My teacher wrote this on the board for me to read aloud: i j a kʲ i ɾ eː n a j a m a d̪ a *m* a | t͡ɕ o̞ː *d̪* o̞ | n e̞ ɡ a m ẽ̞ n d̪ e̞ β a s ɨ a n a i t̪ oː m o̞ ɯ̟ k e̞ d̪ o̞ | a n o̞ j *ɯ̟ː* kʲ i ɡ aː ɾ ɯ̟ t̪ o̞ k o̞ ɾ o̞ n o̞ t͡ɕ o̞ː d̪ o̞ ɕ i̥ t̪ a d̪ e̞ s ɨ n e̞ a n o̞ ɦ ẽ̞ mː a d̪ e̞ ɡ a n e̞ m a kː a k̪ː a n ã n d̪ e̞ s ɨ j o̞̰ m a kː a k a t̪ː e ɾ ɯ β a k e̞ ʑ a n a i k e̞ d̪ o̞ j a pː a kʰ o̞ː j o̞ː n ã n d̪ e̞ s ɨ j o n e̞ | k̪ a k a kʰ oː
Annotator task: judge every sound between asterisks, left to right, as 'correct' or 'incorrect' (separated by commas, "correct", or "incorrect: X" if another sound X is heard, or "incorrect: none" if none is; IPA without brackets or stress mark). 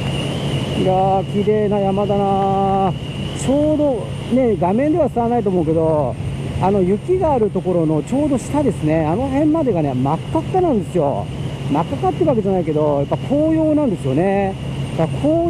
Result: incorrect: n, correct, incorrect: ɯ̟